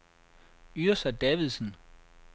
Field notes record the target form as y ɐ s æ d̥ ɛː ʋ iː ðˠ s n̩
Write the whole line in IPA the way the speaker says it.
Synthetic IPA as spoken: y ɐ s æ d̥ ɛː ʋ i ðˠ s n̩